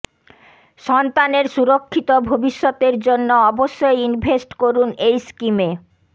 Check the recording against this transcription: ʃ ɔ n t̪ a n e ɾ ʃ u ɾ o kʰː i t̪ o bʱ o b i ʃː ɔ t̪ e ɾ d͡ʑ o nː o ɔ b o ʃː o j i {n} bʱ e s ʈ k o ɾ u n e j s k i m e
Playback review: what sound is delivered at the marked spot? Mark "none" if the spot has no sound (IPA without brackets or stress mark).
n